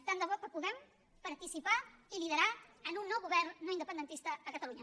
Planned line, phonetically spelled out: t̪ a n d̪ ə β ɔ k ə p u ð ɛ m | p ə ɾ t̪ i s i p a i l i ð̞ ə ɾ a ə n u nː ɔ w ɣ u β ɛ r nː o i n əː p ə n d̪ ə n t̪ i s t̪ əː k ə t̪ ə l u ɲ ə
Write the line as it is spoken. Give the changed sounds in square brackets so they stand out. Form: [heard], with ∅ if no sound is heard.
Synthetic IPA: t̪ a n d̪ ə β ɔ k ə p u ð ɛ m | p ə ɾ t̪ i s i p a i l i ð̞ ə ɾ a ə n u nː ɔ w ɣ u β ɛ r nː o i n [ə] p ə n d̪ ə n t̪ i s t̪ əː k ə t̪ ə l u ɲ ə